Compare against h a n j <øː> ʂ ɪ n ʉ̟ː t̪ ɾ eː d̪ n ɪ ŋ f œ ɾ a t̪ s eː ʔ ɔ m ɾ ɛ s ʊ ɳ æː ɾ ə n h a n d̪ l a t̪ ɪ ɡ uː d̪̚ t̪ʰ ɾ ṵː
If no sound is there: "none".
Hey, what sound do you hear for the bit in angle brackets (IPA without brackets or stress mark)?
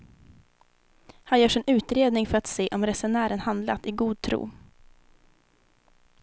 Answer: œː